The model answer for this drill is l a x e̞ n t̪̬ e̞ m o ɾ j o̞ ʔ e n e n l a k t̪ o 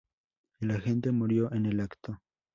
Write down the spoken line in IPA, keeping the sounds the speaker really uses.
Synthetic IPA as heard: l a x e̞ n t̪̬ e̞ m u ɾ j o̞ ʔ e n e l a k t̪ o

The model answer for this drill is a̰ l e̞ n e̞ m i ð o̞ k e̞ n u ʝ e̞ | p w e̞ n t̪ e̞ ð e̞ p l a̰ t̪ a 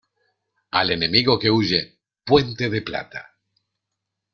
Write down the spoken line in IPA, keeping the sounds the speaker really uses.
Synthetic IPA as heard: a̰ l e̞ n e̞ m i ɣ o̞ k e̞ u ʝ e̞ | p w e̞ n t̪ e̞ ð e̞ p l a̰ t̪ a

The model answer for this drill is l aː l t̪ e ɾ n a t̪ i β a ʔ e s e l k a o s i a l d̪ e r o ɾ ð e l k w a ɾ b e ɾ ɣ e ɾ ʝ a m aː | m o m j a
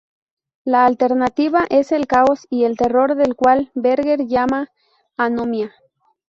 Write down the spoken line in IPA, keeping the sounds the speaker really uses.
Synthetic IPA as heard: l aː l t̪ e ɾ n a t̪ i β a ʔ e s e l k a o s i e l t̪ e r o ɾ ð e l k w a l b e ɾ ɣ e ɾ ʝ a m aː | n o m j a

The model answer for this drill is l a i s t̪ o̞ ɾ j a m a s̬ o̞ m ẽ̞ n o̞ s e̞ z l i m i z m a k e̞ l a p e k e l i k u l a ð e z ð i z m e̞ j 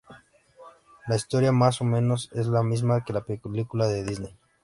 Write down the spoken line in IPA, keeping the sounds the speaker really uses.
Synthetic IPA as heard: l a i s t̪ o̞ ɾ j a m a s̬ o̞ m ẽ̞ n o̞ s e̞ z l a m i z m a k e̞ l a p e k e l i k u l a ð e ð i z n e̞ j

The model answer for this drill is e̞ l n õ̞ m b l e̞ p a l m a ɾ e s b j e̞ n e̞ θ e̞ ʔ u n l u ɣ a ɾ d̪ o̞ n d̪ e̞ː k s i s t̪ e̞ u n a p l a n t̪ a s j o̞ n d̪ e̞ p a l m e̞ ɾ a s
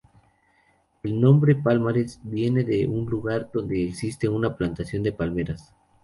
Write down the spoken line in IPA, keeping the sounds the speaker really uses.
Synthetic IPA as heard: e̞ l n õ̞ m b ɾ e̞ p a l m a ɾ e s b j e̞ n e̞ ð e̞ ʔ u n l u ɣ a ɾ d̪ o̞ n d̪ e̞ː k s i s t̪ e̞ u n a p l a n t̪ a s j o̞ n d̪ e̞ p a l m e̞ ɾ a s

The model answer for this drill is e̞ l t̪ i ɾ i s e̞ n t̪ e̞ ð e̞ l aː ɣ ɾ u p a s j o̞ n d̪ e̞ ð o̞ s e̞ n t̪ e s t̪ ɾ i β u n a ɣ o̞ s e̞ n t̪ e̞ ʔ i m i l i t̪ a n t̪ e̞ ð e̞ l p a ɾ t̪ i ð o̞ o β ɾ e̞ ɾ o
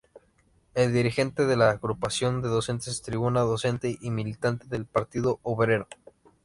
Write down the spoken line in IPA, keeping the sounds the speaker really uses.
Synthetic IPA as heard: e̞ l d̪ i ɾ i x e̞ n t̪ e̞ ð e̞ l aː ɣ ɾ u p a s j o̞ n d̪ e̞ ð o̞ s e̞ n t̪ e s t̪ ɾ i β u n a ð o̞ s e̞ n t̪ e̞ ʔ i m i l i t̪ a n t̪ e̞ ð e̞ l p a ɾ t̪ i ð o̞ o β ɾ e̞ ɾ o

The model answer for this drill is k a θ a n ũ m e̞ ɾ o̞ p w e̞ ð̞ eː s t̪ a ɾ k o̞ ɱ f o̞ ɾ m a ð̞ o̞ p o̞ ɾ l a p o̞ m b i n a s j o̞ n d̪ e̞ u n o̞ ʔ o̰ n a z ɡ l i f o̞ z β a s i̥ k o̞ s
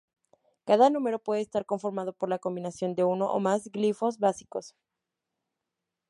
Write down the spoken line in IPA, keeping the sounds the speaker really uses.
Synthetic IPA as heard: k a ð a n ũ m e̞ ɾ o̞ p w e̞ ð̞ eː s t̪ a ɾ k o̞ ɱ f o̞ ɾ m a ð̞ o̞ p o̞ ɾ l a k o̞ m b i n a s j o̞ n d̪ e̞ u n o̞ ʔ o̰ m a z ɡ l i f o̞ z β a s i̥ k o̞ s

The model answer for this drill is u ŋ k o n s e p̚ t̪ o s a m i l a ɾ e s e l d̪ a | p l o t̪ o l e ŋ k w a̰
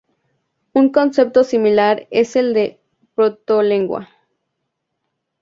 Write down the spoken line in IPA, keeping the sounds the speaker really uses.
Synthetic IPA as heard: u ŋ k o n s e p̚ t̪ o s i m i l a ɾ e s e l d̪ e | p ɾ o t̪ o l e ŋ ɡ w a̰

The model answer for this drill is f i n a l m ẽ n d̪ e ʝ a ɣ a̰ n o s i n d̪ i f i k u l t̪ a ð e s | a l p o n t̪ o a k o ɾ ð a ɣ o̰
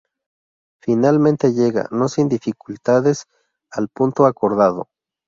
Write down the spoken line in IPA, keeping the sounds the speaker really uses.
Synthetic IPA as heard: f i n a l m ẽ n t̪ e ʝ e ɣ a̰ n o s i n d̪ i f i k u l t̪ a ð e s | a l p u n t̪ o a k o ɾ ð a ð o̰

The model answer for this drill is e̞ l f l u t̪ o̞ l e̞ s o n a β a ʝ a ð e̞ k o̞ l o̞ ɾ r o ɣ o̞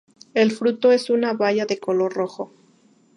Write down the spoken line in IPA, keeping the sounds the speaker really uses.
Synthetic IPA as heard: e̞ l f ɾ u t̪ o̞ e̞ s u n a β a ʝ a ð e̞ k o̞ l o̞ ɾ r o x o̞

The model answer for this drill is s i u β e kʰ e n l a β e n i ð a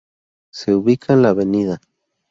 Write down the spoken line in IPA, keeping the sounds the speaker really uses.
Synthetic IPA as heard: s e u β i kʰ a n l a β e n i ð a

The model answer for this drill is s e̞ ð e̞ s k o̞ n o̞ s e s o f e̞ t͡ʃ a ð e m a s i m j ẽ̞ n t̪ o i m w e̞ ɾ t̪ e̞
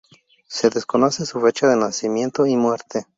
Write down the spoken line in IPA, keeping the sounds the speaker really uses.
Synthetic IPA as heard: s e̞ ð e̞ s k o̞ n o̞ s e s u f e̞ t͡ʃ a ð e n a s i m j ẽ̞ n t̪ o i m w e̞ ɾ t̪ e̞

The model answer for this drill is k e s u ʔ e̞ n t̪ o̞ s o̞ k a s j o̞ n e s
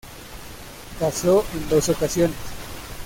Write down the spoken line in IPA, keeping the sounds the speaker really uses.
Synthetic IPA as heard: k a s o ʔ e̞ n d̪ o̞ s o̞ k a s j o̞ n e s

